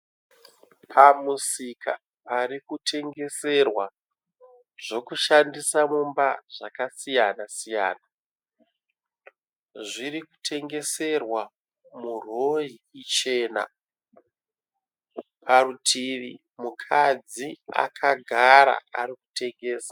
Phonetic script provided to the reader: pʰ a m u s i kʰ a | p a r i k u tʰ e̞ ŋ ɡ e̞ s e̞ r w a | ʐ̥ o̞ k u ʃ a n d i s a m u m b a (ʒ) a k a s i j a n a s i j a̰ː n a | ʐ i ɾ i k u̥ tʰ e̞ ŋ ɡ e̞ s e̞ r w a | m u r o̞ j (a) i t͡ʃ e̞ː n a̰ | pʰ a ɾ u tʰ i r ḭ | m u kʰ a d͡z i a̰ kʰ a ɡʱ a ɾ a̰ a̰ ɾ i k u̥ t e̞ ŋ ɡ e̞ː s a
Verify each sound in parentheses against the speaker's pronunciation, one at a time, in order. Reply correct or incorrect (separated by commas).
incorrect, incorrect